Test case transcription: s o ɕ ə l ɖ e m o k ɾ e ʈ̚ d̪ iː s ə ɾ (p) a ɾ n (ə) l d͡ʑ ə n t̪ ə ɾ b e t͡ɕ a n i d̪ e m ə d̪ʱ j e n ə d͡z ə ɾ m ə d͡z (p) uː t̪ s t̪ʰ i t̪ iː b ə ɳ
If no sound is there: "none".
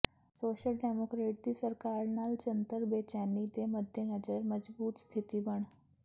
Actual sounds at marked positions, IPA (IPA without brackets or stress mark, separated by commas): k, a, b